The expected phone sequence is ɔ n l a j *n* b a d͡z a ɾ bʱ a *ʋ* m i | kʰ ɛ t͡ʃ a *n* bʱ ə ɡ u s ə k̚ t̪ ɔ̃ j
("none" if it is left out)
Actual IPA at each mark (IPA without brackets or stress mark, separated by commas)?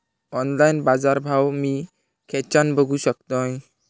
n, w, n